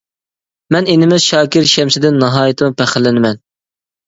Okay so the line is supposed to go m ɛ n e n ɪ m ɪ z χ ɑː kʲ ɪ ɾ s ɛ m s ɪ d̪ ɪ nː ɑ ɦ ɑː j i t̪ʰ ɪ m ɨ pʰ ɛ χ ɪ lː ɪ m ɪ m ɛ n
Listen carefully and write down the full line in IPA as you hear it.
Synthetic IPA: m ɛ n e n ɪ m ɪ z ʃ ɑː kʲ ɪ ɾ ʃ ɛ m s ɪ d̪ ɪ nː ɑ ɦ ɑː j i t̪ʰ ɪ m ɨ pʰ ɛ χ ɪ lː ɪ n ɪ m ɛ n